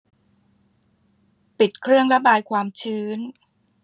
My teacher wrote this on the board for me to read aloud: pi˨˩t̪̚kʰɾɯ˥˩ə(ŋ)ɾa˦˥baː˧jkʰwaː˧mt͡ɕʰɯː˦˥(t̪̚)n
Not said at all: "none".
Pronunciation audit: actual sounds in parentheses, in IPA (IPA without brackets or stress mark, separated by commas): ŋ, none